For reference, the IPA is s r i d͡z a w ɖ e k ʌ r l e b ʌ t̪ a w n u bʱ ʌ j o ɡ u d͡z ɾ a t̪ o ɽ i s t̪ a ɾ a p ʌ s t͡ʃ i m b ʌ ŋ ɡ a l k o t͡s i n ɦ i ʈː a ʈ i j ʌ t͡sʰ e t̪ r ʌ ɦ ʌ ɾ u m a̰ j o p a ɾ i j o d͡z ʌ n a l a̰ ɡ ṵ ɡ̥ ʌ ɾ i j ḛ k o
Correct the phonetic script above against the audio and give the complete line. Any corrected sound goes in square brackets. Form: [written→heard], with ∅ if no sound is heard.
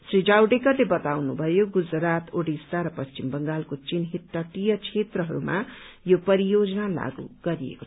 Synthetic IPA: s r i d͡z a w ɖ e k ʌ r l e b ʌ t̪ a w n u bʱ ʌ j o ɡ u d͡z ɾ a t̪ o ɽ i s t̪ a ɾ [a→ʌ] p ʌ s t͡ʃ i m b ʌ ŋ ɡ a l k o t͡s i n ɦ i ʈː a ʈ i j ʌ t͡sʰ e t̪ r ʌ ɦ ʌ ɾ u m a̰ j o p [a→ʌ] ɾ i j o d͡z ʌ n a l a̰ ɡ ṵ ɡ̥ ʌ ɾ i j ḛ k o